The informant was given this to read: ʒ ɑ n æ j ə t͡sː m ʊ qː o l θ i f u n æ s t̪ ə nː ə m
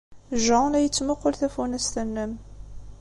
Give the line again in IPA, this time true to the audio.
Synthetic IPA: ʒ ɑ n æ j ə t͡sː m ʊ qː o l θ æ f u n æ s t̪ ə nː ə m

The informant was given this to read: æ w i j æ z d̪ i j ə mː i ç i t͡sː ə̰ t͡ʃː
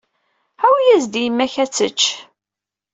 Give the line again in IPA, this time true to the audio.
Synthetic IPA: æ w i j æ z d̪ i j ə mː æ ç æ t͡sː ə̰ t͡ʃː

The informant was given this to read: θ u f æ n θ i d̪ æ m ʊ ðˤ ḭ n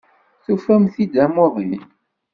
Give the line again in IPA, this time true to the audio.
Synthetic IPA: θ u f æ m θ i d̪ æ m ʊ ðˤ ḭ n

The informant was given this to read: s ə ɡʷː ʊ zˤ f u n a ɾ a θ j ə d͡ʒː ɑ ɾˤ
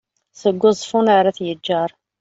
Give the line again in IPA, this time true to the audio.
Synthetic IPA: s ə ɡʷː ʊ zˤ f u n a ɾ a θ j ə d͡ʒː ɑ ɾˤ

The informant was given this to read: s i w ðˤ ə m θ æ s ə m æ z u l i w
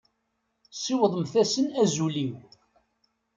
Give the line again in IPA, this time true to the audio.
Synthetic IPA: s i w ðˤ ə m θ æ s ə n æ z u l i w

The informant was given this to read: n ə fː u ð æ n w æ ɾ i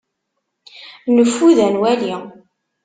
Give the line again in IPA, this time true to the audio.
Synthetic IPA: n ə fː u ð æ n w æ l i

